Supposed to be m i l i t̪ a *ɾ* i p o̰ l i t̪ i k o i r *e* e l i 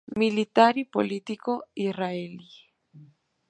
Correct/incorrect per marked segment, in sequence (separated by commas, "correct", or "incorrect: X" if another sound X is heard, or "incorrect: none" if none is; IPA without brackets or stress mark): correct, incorrect: a